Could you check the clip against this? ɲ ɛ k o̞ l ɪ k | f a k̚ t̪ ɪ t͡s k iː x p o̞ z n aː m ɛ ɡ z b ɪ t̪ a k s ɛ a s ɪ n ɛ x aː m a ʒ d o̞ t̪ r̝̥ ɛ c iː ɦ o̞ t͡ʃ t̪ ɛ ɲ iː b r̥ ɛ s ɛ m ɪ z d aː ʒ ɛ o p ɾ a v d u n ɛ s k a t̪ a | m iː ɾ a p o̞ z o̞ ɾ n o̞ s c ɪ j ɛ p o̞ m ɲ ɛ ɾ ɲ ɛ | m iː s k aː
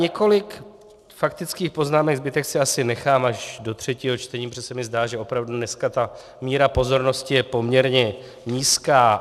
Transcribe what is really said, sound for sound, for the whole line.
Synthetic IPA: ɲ ɛ k o̞ l ɪ k | f a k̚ t̪ ɪ t͡s k iː x p o̞ z n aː m ɛ ɡ z b ɪ t̪ ɛ k s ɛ a s ɪ n ɛ x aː m a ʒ d o̞ t̪ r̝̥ ɛ c iː ɦ o̞ t͡ʃ t̪ ɛ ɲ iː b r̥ ɛ s ɛ m ɪ z d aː ʒ ɛ o p ɾ a v d u n ɛ s k a t̪ a | m iː ɾ a p o̞ z o̞ ɾ n o̞ s c ɪ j ɛ p o̞ m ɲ ɛ ɾ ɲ ɛ | ɲ iː s k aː